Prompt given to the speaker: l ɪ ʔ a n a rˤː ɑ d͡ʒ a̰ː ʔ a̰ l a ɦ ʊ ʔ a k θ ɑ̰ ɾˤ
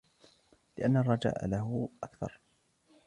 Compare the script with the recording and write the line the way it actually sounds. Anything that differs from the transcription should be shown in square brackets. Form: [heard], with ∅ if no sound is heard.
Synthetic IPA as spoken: l ɪ ʔ a [nː] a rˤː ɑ d͡ʒ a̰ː ʔ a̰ l a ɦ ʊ ʔ a k θ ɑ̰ ɾˤ

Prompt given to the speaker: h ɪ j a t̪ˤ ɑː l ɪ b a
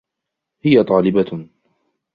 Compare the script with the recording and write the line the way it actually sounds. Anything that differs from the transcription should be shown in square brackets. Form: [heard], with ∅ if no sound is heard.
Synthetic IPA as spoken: h ɪ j a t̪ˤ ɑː l ɪ b a

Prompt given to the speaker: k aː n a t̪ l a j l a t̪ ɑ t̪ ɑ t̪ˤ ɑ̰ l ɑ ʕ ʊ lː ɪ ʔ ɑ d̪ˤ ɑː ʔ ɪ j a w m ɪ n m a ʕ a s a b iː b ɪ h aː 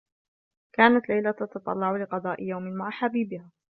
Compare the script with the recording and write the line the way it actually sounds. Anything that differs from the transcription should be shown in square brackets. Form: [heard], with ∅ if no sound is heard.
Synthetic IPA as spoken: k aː n a t̪ l a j l a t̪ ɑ t̪ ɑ t̪ˤ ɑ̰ [lː] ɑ ʕ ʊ [l] ɪ [q] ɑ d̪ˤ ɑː ʔ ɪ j a w m ɪ n m a ʕ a [ħ] a b iː b ɪ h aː

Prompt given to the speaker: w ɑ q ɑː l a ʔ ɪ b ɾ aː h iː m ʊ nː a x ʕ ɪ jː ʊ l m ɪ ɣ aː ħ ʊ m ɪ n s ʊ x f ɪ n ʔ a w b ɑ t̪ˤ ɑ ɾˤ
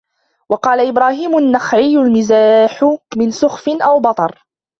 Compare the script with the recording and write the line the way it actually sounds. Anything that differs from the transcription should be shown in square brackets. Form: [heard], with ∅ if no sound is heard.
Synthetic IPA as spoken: w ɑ q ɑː l a ʔ ɪ b ɾ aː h iː m ʊ nː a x ʕ ɪ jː ʊ l m ɪ [z] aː ħ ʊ m ɪ n s ʊ x f ɪ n ʔ a w b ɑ t̪ˤ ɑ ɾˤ

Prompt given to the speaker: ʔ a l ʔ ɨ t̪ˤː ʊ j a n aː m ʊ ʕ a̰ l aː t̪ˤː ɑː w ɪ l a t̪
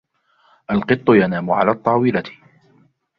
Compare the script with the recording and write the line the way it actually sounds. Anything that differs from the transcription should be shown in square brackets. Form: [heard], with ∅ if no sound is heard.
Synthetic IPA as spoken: ʔ a l [q] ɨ t̪ˤː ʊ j a n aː m ʊ ʕ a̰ l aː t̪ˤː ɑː w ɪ l a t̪

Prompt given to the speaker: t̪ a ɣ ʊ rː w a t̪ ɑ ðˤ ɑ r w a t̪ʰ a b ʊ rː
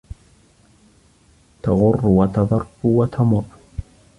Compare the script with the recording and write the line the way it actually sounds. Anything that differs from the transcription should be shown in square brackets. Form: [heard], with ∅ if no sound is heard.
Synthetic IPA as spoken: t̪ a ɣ ʊ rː w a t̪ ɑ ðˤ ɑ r w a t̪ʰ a [m] ʊ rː

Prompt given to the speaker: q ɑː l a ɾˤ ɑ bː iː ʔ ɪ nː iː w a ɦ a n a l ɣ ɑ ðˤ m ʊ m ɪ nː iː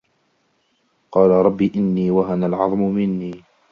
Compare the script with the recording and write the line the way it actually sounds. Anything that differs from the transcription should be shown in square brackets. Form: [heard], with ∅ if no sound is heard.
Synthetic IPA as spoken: q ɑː l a ɾˤ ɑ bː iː ʔ ɪ nː iː w a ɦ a n a l [ʕ] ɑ ðˤ m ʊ m ɪ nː iː

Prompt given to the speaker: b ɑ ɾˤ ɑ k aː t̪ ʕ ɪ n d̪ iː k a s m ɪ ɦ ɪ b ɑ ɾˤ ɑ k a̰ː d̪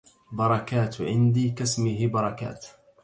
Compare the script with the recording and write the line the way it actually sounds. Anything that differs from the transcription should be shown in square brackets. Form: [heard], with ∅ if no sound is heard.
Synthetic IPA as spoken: b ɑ ɾˤ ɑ k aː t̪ ʕ ɪ n d̪ iː k a s m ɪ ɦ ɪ b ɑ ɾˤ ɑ k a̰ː [t̪]

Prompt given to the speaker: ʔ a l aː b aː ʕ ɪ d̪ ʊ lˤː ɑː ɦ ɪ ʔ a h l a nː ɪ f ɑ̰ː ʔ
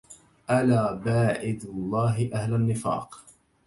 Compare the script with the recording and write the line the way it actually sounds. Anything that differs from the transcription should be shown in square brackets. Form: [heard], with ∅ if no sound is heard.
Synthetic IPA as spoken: ʔ a l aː b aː ʕ ɪ d̪ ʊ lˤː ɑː ɦ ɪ ʔ a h l a nː ɪ f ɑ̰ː [q]

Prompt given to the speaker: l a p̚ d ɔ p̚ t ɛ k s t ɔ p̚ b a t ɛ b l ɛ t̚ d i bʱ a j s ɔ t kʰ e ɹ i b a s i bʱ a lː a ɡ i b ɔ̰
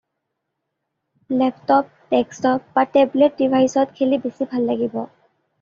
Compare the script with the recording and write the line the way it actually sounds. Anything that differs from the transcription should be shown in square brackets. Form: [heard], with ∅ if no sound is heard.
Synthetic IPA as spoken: l [ɛ] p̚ [t] ɔ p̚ t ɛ k s t ɔ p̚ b a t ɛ b l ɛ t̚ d i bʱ a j s ɔ t kʰ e [l] i b [e] s i bʱ a lː a ɡ i b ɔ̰

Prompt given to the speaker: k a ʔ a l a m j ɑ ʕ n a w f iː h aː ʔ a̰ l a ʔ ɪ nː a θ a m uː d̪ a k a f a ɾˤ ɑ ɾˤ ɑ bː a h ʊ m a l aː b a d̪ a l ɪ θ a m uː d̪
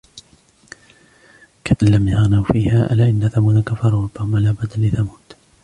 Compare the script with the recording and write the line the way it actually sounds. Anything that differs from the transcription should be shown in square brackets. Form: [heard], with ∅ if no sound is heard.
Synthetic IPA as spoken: k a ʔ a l a m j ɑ [ɣ] n a w f iː h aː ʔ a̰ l a ʔ ɪ nː a θ a m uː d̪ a k a f [ɑ] ɾˤ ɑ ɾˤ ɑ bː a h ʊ m a l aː b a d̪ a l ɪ θ a m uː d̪

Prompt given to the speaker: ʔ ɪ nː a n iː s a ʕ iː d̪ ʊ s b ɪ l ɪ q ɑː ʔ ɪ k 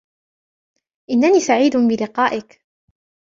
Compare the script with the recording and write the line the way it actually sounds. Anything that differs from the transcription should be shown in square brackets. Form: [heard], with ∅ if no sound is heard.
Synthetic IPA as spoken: ʔ ɪ nː a n iː s a ʕ iː d̪ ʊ [∅] b ɪ l ɪ q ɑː ʔ ɪ k

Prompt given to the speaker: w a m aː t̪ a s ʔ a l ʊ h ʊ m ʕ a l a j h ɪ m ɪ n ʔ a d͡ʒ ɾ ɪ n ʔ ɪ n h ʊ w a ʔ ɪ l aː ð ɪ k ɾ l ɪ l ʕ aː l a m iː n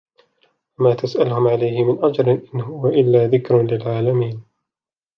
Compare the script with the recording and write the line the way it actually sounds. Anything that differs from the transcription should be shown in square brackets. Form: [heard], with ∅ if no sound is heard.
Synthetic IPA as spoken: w a m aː t̪ a s ʔ a l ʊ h ʊ m ʕ a l a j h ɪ m ɪ n ʔ a d͡ʒ ɾ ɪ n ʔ ɪ n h ʊ w a ʔ ɪ [lː] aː ð ɪ k ɾ l ɪ l ʕ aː l a m iː n

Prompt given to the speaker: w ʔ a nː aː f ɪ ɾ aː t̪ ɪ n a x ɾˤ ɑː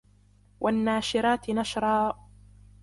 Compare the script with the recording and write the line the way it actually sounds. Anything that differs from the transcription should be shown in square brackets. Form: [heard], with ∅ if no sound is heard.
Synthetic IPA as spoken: w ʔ a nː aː [ʃ] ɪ ɾ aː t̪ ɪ n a [ʃ] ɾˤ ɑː

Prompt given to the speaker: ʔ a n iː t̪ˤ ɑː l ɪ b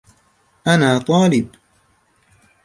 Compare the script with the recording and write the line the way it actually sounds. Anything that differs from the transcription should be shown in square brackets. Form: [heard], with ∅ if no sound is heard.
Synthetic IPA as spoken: ʔ a n [aː] t̪ˤ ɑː l ɪ b

